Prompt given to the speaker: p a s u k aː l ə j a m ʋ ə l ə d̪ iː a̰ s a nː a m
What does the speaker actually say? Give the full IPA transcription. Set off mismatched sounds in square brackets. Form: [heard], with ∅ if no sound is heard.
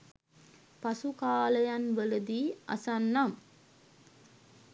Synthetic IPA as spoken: p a s u k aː l ə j a [n] ʋ ə l ə d̪ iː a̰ s a nː a m